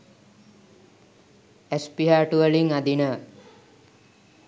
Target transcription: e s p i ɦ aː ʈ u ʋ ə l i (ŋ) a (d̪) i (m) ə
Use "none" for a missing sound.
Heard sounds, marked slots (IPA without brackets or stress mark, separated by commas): ŋ, d̪, n